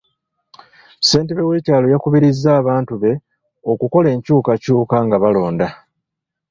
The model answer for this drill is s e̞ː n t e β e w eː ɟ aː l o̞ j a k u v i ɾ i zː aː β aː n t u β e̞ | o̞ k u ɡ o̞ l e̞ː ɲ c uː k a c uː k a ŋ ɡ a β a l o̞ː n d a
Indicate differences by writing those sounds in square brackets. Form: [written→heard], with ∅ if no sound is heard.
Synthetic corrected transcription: s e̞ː n t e β e w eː [ɟ→c] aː l o̞ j a k u [v→β] i ɾ i zː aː β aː n t u β e̞ | o̞ k u [ɡ→k] o̞ l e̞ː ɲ c uː k a c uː k a ŋ ɡ a β a l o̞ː n d a

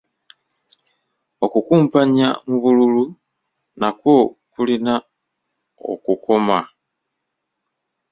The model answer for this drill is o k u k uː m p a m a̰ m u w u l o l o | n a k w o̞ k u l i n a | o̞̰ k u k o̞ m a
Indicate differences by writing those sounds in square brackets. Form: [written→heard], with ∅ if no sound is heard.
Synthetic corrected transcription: o k u k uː m p a [m→ɲ] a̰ m u [w→β] u l [o→u] l [o→u] | n a k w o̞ k u l i n a | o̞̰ k u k o̞ m a

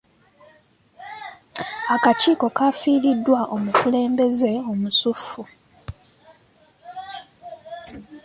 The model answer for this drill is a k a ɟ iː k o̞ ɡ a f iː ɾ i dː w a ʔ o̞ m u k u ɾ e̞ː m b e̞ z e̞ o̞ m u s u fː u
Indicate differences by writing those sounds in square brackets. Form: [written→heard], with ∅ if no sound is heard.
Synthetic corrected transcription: a k a [ɟ→c] iː k o̞ [ɡ→k] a f iː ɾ i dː w a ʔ o̞ m u k u [ɾ→l] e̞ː m b e̞ z e̞ o̞ m u s u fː u

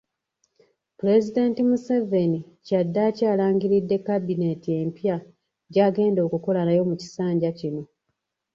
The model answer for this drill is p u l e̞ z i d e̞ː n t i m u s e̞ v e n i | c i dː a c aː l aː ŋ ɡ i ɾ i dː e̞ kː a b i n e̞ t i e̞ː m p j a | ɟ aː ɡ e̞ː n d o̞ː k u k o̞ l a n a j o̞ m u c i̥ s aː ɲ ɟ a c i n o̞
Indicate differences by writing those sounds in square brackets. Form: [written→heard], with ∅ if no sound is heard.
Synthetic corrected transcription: p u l e̞ z i d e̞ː n t i m u s e̞ v e n i | c [i→a] dː a c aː l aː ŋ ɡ i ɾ i dː e̞ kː a b i n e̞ t i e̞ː m p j a | ɟ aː ɡ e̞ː n d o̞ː k u k o̞ l a n a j o̞ m u c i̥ s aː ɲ ɟ a c i n o̞

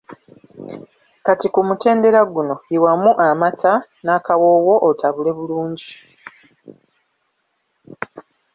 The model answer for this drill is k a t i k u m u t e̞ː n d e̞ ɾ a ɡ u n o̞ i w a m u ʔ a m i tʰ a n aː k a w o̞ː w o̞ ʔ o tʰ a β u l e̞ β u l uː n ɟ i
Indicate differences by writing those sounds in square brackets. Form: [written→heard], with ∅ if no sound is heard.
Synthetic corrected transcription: k a t i k u m u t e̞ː n d e̞ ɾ a ɡ u n o̞ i w a m u ʔ a m [i→a] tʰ a n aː k a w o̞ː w o̞ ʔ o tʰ a β u l e̞ β u l uː [n→ɲ] ɟ i

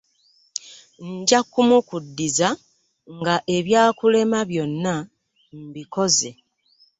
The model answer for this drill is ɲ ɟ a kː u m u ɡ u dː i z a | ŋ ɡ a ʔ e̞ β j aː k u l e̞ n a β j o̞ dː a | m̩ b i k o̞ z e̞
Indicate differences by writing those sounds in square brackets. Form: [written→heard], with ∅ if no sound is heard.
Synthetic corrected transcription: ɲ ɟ a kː u m u [ɡ→k] u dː i z a | ŋ ɡ a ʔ e̞ β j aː k u l e̞ [n→m] a β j o̞ [dː→nː] a | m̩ b i k o̞ z e̞

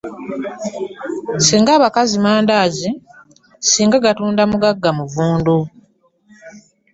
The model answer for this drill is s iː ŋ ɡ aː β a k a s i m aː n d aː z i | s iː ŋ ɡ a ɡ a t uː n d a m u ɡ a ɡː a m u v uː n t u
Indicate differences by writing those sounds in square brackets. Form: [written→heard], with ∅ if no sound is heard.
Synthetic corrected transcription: s iː ŋ ɡ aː β a k a [s→z] i m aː n d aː z i | s iː ŋ ɡ a ɡ a t uː n d a m u ɡ a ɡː a m u v uː n [t→d] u

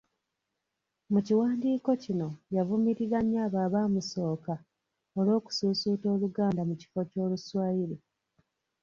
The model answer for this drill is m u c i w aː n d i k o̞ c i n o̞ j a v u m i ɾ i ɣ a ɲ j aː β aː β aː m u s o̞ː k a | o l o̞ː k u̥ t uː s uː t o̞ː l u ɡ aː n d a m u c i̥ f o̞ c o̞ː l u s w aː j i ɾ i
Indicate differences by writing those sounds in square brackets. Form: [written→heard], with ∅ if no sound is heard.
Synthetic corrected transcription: m u c i w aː n d [i→iː] k o̞ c i n o̞ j a v u m i ɾ i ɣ a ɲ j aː β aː β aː m u s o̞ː k a | o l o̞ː k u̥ [t→s] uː s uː t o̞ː l u ɡ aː n d a m u c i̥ f o̞ c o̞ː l u s w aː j i ɾ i

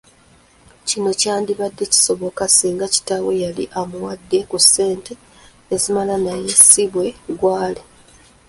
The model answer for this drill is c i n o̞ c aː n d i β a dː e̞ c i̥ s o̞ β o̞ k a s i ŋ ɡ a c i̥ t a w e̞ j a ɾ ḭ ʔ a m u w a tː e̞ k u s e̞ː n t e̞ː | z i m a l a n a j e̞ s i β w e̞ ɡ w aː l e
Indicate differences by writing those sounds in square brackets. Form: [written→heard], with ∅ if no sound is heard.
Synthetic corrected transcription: c i n o̞ c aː n d i β a dː e̞ c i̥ s o̞ β o̞ k a s [i→iː] ŋ ɡ a c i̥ t a w e̞ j a [ɾ→l] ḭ ʔ a m u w a [tː→dː] e̞ k u s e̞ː n t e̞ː | z i m a l a n a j e̞ s i β w e̞ ɡ w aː l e

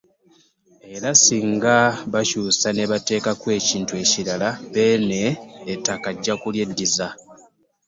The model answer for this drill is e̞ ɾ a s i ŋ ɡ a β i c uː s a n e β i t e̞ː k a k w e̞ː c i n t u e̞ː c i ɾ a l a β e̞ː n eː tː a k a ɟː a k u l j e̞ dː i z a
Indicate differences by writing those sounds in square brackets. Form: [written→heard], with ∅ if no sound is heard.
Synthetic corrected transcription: e̞ ɾ a s i ŋ ɡ a β [i→a] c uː s a n e β [i→a] t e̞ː k a k w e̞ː c [i→iː] n t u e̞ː c i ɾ a l a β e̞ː n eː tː a k a ɟː a k u l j e̞ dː i z a

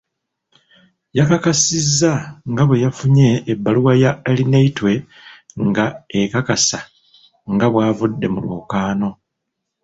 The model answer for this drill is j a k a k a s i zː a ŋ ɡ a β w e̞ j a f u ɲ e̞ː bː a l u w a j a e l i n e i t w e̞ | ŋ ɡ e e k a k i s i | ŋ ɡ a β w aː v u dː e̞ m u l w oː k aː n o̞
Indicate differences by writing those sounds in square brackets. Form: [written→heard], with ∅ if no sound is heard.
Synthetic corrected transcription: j a k a k a s i zː a ŋ ɡ a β w e̞ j a f u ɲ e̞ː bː a l u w a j a e l i n e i t w e̞ | ŋ ɡ [e→a] e k a k [i→a] s [i→a] | ŋ ɡ a β w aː v u dː e̞ m u l w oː k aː n o̞

